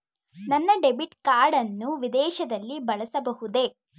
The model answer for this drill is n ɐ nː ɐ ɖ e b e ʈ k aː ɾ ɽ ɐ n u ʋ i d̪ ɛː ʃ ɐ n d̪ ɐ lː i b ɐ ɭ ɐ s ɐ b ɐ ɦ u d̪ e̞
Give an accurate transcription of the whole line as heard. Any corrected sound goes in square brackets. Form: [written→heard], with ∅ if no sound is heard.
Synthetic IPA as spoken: n ɐ nː ɐ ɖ e b [e→i] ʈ k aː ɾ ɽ ɐ [n→nː] u ʋ i d̪ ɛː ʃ ɐ [n→∅] d̪ ɐ lː i b ɐ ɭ ɐ s ɐ b ɐ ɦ u d̪ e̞